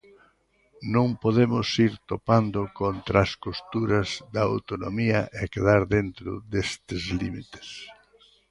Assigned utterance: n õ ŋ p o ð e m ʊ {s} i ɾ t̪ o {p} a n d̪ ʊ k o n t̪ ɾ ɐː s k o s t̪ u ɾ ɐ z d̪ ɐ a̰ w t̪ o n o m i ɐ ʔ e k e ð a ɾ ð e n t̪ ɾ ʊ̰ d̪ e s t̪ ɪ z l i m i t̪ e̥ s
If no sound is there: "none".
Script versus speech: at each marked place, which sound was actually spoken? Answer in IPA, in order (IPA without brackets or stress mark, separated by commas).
s, p